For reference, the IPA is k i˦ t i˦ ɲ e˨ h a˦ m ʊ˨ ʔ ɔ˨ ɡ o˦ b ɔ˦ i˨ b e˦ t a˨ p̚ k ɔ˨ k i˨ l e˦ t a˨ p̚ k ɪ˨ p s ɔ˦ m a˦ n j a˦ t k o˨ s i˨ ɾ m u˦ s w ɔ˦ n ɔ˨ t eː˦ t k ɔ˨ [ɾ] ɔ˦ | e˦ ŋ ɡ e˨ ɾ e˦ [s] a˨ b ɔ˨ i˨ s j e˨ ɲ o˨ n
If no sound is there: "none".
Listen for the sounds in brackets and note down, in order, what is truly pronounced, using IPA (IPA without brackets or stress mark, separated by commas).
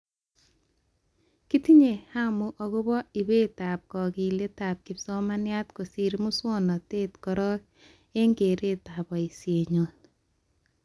ɾ, t